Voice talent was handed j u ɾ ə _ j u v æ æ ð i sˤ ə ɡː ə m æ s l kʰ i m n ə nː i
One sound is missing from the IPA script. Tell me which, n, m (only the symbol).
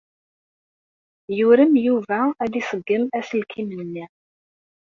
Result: m